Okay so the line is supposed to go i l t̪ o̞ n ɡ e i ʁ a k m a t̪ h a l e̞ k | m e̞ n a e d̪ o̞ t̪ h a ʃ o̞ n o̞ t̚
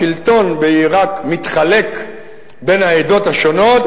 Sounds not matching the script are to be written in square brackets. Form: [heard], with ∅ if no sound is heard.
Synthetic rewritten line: i l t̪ o̞ n [b] e i ʁ a k m [i] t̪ [χ] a l e̞ k | [b] e̞ n a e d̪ o̞ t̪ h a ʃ o̞ n o̞ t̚